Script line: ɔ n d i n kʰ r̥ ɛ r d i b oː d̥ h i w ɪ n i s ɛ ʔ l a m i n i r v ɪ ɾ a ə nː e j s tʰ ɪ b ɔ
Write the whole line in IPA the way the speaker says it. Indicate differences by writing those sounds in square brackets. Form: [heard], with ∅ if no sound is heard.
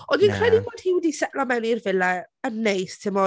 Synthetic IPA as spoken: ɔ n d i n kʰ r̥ ɛ [∅] d i b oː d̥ h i w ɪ [d] i s ɛ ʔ l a m [ɛ] n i r v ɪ [l] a ə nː e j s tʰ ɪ [m] ɔ